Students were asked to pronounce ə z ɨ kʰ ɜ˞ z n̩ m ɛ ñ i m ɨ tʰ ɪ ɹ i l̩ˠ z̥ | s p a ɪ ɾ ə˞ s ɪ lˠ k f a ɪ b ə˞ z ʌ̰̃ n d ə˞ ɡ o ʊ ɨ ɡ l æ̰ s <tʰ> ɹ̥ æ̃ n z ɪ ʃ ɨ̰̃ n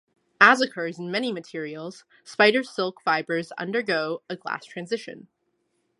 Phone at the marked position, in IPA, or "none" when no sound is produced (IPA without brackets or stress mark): tʰ